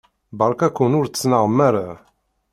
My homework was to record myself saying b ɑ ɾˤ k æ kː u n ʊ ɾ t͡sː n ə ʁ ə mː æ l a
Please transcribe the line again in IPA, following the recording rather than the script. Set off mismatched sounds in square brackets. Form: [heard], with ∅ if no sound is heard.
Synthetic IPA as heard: b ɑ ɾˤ k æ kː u n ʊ ɾ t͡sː n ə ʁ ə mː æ [ɾ] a